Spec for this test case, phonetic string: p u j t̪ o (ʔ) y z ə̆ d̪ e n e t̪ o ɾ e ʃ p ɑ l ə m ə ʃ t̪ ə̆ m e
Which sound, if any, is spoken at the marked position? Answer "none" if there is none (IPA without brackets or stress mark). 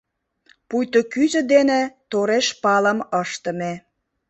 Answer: k